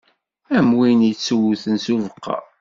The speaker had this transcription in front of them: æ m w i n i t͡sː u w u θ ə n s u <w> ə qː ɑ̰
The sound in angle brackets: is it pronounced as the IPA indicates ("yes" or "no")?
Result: no